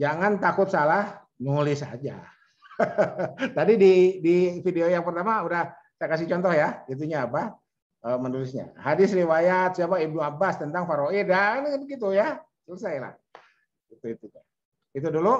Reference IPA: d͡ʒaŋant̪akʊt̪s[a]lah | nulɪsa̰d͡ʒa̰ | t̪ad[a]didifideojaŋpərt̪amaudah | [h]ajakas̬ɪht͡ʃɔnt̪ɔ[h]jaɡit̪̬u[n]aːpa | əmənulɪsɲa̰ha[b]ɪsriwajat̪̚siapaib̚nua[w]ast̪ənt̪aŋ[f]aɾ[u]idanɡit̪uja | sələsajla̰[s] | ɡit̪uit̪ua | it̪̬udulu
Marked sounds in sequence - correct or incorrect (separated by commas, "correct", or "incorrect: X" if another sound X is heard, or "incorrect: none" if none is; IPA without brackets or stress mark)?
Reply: correct, incorrect: i, incorrect: s, correct, incorrect: ɲ, incorrect: d, incorrect: b, correct, incorrect: o, incorrect: h